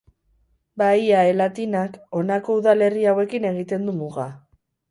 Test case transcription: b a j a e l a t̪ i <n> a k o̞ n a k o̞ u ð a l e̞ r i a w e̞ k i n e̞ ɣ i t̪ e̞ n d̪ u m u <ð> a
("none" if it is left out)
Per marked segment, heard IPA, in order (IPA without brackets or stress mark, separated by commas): n, ɣ